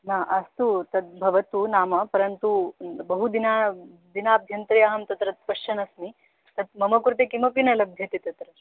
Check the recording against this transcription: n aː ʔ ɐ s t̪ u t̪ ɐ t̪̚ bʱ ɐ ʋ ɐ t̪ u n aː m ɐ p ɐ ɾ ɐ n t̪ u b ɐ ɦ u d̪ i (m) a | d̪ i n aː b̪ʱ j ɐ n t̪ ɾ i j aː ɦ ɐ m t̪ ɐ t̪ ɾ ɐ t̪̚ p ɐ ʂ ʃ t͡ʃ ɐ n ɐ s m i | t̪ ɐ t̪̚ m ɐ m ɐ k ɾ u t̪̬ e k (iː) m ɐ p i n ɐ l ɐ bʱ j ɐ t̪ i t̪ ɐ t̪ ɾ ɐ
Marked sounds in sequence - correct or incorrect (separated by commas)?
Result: incorrect, incorrect